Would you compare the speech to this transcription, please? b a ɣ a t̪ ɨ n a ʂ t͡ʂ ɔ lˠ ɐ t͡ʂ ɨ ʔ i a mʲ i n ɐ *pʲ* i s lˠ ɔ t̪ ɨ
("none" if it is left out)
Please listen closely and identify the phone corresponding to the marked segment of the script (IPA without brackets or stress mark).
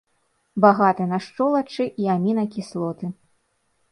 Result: kʲ